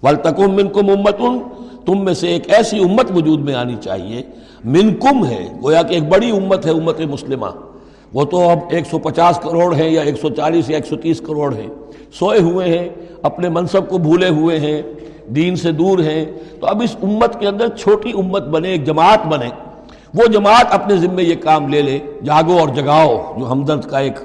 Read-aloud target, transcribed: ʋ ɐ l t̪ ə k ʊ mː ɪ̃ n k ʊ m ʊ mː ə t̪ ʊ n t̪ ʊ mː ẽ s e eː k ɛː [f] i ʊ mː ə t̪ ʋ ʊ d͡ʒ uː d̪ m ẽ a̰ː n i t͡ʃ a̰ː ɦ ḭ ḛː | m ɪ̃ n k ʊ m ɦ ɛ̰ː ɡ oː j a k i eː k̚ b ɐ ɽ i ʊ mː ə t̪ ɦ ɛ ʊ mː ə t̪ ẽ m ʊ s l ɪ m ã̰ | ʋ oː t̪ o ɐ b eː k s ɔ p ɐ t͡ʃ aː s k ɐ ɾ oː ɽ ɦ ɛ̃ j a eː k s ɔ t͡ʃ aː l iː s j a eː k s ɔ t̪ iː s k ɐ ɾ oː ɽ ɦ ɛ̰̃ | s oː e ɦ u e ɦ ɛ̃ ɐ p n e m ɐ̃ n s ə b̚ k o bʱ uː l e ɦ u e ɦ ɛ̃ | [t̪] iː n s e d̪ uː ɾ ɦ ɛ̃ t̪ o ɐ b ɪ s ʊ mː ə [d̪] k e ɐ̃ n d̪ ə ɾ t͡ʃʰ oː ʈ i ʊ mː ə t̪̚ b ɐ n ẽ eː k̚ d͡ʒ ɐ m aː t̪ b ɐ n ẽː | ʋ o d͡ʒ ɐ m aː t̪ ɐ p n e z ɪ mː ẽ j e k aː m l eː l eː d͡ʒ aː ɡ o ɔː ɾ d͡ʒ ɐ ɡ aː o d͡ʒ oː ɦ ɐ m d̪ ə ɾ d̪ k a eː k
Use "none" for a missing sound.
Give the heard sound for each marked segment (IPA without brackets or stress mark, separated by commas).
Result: s, d̪, t̪